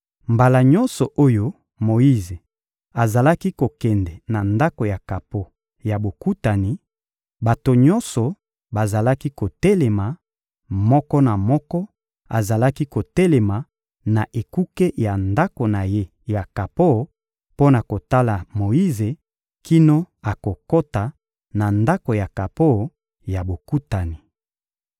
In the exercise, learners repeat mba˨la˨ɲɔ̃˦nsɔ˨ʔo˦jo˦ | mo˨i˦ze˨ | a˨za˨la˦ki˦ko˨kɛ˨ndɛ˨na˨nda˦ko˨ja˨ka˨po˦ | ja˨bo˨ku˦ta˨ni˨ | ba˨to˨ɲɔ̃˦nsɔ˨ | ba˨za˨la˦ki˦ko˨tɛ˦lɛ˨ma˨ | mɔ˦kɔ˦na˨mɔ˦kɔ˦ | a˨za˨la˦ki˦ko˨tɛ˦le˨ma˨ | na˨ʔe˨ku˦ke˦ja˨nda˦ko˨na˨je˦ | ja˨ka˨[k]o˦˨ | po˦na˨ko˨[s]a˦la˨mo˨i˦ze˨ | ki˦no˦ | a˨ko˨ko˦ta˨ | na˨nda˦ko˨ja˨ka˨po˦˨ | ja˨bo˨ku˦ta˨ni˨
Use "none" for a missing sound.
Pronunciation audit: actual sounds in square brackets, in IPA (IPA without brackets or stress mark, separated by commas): p, t